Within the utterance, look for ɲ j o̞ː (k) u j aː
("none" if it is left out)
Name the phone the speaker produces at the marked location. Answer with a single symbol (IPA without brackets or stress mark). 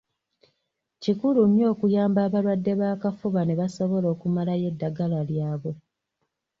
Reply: k